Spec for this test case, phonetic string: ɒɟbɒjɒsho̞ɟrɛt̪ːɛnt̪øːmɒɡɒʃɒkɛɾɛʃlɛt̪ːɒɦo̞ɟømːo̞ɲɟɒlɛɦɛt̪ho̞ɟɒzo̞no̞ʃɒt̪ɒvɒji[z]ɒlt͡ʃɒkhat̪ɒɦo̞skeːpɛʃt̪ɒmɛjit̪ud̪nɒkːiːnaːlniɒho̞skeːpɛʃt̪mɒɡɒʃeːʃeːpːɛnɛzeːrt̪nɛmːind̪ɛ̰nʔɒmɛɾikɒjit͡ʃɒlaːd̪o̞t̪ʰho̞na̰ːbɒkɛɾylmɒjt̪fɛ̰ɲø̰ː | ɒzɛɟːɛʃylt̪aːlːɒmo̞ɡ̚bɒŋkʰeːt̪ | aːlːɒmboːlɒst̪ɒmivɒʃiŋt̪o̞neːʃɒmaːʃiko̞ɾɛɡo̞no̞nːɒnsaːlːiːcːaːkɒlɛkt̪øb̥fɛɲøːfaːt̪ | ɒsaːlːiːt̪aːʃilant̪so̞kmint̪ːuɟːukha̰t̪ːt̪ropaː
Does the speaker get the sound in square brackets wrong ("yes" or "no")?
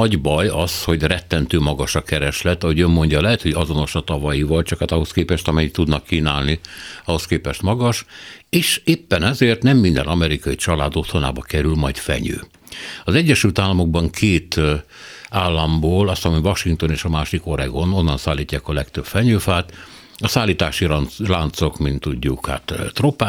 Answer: yes